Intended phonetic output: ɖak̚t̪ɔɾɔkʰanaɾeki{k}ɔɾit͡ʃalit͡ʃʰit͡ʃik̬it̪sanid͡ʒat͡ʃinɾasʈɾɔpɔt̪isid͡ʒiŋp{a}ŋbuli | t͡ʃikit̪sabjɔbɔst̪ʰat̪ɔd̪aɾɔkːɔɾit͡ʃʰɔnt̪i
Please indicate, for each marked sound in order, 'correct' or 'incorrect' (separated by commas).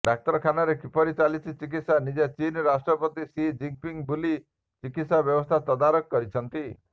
incorrect, incorrect